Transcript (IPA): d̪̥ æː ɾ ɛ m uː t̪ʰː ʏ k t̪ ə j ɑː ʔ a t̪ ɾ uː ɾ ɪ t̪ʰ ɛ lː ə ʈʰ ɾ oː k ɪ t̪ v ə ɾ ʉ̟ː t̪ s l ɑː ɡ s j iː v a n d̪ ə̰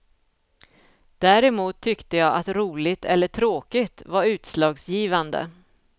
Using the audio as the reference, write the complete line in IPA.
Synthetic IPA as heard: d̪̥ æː ɾ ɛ m uː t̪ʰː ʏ k t̪ ə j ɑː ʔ a t̪ ɾ uː l ɪ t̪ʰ ɛ lː ə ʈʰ ɾ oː k ɪ t̪ v a ɾ ʉ̟ː t̪ s l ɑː ɡ s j iː v a n d̪ ə̰